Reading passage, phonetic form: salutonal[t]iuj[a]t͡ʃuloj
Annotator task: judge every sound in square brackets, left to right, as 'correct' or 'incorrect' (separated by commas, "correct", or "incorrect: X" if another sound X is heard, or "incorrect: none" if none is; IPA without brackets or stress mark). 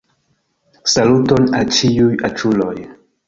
incorrect: t͡ʃ, correct